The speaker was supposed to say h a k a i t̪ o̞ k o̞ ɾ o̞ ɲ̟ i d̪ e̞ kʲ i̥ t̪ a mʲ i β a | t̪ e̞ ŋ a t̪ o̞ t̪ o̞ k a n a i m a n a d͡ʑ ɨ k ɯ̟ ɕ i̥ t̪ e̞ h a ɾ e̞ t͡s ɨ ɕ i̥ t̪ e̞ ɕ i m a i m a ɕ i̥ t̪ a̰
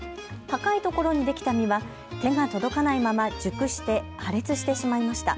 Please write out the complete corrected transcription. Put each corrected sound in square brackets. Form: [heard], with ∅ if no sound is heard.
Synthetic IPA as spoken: h a k a i t̪ o̞ k o̞ ɾ o̞ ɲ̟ i d̪ e̞ kʲ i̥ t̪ a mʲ i β a | t̪ e̞ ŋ a t̪ o̞ [d̪] o̞ k a n a i m a [m] a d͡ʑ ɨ k ɯ̟ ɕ i̥ t̪ e̞ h a ɾ e̞ t͡s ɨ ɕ i̥ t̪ e̞ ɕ i m a i m a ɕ i̥ t̪ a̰